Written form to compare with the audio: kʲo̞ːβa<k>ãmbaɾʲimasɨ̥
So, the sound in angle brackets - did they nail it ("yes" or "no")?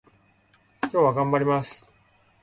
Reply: no